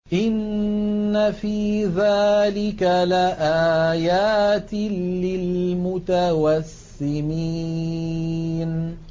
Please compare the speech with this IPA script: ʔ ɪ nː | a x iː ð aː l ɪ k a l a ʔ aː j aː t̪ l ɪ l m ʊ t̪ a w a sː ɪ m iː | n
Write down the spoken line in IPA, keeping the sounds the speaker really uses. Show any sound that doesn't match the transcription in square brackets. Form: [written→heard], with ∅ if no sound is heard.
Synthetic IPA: ʔ ɪ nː | a [x→f] iː ð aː l ɪ k a l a ʔ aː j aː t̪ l ɪ l m ʊ t̪ a w a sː ɪ m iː | n